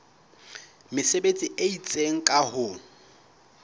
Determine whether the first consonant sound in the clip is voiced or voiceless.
voiced